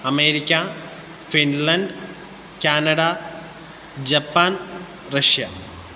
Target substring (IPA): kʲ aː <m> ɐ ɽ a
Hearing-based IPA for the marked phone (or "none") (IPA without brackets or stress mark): n